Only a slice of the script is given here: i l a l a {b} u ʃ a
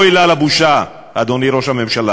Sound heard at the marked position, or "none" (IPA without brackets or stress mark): b